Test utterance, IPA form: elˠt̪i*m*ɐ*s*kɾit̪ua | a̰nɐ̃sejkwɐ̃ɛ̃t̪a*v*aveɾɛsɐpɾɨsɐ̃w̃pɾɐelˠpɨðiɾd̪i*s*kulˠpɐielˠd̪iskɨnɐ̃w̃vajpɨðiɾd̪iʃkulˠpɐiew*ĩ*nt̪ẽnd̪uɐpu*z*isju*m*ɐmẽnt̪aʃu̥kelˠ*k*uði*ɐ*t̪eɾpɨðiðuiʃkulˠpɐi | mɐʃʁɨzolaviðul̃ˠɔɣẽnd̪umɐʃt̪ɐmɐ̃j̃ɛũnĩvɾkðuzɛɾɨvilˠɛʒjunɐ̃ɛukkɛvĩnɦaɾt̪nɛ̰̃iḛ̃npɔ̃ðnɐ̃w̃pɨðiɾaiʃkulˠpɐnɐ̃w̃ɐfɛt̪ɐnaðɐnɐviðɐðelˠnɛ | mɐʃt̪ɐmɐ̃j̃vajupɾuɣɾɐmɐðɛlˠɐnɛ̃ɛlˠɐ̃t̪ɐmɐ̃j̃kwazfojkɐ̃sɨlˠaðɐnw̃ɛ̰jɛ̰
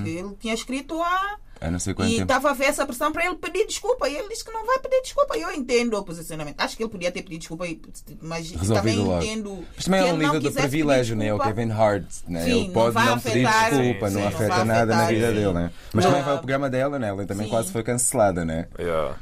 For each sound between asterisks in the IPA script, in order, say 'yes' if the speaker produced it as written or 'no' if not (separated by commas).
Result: no, no, yes, no, no, yes, no, no, yes